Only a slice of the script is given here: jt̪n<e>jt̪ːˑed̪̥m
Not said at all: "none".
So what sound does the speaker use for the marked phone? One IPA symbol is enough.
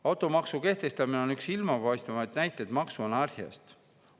æ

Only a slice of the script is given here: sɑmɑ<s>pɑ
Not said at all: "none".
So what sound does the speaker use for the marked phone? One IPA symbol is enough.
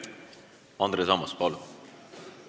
s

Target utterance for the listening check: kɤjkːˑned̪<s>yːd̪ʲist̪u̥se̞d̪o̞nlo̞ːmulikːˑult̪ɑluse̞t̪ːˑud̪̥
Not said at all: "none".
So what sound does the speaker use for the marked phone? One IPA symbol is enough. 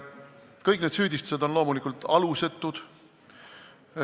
s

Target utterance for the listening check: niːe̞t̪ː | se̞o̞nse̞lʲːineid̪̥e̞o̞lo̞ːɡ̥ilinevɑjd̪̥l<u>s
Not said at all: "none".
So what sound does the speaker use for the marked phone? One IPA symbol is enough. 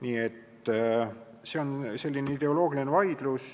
u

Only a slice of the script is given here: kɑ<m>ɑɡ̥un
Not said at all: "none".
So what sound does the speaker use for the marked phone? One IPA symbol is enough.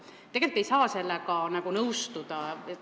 n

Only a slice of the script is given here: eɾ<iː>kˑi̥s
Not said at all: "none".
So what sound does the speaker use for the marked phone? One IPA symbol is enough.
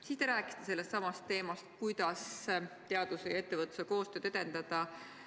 æː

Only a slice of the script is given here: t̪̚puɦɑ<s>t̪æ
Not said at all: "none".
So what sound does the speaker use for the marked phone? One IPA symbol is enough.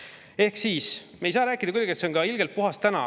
s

